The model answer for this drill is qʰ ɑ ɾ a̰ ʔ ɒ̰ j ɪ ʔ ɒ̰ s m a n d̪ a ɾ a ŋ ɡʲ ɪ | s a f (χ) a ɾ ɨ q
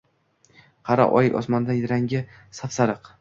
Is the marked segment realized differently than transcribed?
yes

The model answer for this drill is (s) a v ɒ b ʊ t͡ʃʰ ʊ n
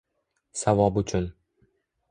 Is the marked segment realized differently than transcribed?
no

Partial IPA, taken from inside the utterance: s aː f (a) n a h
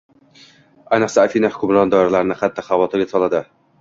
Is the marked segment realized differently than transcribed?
yes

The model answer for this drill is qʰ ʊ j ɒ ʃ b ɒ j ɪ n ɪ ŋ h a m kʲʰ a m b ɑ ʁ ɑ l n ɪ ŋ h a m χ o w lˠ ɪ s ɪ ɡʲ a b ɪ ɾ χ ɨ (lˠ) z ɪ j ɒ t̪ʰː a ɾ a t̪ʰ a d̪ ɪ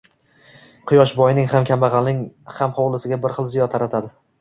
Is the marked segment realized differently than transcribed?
no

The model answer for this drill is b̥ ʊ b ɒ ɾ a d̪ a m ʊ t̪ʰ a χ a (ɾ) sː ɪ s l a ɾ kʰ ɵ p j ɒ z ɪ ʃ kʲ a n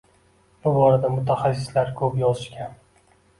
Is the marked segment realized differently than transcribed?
yes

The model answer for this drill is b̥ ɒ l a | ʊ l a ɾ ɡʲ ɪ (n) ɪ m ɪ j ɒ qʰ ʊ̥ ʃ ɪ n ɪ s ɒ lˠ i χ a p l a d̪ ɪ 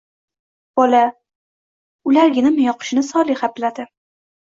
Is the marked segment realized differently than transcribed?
no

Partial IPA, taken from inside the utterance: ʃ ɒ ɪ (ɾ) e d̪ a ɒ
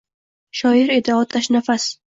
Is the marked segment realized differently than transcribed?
no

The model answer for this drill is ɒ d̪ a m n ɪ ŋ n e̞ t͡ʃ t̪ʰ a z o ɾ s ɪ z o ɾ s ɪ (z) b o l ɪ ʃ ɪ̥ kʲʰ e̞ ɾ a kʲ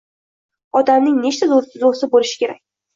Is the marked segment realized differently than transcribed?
yes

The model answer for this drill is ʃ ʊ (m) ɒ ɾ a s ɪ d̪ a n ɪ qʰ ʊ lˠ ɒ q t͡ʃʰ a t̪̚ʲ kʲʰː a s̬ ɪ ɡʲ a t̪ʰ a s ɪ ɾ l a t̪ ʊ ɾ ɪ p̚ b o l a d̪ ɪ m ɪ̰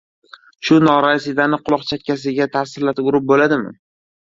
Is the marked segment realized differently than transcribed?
yes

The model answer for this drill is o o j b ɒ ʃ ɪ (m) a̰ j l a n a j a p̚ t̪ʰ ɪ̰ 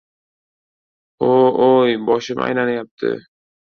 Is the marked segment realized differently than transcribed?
no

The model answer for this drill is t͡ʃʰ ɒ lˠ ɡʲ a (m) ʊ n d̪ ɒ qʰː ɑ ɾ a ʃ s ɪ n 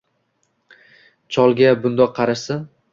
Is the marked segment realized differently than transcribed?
yes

